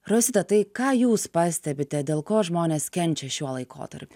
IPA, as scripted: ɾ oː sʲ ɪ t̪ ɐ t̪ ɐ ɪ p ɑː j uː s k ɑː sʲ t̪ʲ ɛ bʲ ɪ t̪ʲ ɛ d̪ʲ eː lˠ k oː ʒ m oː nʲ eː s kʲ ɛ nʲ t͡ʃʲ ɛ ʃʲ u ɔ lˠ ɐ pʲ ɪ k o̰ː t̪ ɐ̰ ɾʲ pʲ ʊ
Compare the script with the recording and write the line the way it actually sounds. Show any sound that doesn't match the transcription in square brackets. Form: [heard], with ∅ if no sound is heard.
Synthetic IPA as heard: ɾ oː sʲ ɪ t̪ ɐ t̪ ɐ ɪ [k] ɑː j uː s [p] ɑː sʲ t̪ʲ ɛ bʲ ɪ t̪ʲ ɛ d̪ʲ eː lˠ k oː ʒ m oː nʲ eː s kʲ ɛ nʲ t͡ʃʲ ɛ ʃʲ u ɔ lˠ ɐ [∅] ɪ k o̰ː t̪ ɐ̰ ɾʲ pʲ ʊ